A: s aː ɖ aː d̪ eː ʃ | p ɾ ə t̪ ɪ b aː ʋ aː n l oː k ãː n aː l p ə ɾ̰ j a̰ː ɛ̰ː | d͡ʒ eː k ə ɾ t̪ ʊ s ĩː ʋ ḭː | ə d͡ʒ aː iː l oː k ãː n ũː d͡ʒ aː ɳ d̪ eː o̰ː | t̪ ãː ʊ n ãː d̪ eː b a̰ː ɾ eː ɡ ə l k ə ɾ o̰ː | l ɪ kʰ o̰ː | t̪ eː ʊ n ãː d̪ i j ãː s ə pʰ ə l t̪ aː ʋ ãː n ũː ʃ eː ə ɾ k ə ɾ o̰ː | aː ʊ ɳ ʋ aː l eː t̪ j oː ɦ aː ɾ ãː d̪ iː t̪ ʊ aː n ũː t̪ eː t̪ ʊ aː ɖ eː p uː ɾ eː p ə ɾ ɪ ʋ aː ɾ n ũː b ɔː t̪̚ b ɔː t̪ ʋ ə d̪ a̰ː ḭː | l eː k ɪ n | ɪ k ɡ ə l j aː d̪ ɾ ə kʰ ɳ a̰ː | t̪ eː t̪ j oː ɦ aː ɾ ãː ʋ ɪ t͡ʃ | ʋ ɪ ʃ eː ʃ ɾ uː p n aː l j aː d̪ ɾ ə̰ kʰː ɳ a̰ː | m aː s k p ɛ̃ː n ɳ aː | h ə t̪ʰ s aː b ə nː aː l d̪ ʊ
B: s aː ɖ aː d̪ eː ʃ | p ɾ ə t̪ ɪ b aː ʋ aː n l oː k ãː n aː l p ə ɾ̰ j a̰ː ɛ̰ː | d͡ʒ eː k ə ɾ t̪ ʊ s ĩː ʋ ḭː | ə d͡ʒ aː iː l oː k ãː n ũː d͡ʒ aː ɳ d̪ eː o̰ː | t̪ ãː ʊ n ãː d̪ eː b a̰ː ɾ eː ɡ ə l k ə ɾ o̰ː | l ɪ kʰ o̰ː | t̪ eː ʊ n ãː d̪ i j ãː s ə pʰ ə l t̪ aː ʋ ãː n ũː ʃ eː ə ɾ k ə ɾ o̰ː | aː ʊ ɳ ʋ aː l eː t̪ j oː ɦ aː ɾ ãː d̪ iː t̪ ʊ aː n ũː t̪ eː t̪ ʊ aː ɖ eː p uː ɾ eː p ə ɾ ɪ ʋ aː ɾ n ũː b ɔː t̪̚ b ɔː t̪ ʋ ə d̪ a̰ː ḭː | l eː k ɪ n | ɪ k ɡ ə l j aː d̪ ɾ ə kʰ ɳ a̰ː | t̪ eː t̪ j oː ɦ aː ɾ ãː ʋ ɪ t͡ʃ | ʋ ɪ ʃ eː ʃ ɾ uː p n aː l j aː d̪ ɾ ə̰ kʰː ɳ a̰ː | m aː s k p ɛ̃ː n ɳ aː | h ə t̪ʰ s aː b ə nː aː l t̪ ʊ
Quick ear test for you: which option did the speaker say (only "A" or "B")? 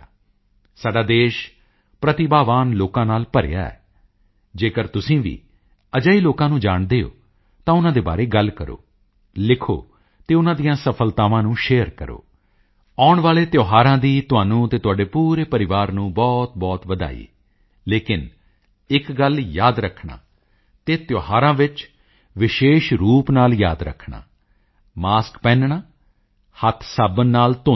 B